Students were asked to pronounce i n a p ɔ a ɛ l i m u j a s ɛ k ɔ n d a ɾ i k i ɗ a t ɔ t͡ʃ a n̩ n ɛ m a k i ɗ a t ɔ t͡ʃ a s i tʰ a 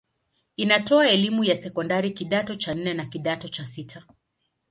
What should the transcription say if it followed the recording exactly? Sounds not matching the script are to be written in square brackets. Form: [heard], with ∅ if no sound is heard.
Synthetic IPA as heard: i n a [t] ɔ a ɛ l i m u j a s ɛ k ɔ n d a ɾ i k i ɗ a t ɔ t͡ʃ a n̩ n ɛ [n] a k i ɗ a t ɔ t͡ʃ a s i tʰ a